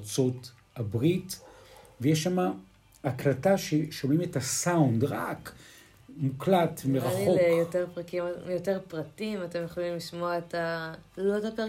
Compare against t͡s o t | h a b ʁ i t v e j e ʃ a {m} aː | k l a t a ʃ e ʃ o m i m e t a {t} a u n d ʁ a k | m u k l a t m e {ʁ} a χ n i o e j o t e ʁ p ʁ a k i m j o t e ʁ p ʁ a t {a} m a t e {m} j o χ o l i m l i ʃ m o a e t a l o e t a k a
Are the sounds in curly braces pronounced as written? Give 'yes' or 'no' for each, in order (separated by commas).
yes, no, yes, no, yes